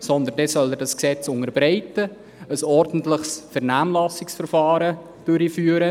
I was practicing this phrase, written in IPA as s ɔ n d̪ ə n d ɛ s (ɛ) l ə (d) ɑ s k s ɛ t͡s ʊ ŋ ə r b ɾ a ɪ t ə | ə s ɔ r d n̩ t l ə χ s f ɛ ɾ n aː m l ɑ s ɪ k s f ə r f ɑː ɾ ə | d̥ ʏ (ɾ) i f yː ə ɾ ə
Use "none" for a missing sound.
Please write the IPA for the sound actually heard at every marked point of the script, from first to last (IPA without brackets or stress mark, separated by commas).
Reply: œ, d, ɾ